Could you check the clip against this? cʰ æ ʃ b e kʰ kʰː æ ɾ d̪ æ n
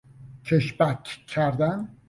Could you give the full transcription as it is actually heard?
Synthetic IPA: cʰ e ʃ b æ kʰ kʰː æ ɾ d̪ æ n